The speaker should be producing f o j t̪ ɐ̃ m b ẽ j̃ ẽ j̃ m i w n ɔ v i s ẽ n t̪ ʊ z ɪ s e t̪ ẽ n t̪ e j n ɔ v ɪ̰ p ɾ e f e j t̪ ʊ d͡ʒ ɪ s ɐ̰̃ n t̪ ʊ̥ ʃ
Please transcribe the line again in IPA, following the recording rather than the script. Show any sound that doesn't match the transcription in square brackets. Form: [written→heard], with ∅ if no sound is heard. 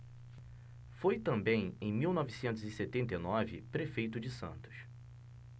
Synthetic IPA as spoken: f o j t̪ ɐ̃ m b ẽ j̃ ẽ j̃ m i w n ɔ v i s ẽ n t̪ ʊ z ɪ s e t̪ ẽ n t̪ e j n ɔ v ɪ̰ p ɾ e f e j t̪ ʊ d͡ʒ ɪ s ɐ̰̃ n t̪ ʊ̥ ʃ